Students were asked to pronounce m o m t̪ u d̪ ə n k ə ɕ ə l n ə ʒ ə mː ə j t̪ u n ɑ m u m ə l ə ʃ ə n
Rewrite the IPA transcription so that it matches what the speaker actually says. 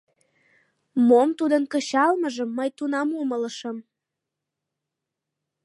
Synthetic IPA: m o m t̪ u d̪ ə n k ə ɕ ɑ l m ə ʒ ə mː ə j t̪ u n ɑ m u m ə l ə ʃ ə m